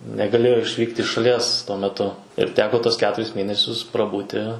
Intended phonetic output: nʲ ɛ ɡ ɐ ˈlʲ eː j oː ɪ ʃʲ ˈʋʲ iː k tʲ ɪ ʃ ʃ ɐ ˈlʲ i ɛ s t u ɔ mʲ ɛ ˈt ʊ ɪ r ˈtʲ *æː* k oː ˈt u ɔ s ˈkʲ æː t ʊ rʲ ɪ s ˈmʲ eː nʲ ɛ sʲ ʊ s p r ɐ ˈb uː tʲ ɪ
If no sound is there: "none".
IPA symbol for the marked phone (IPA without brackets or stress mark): æː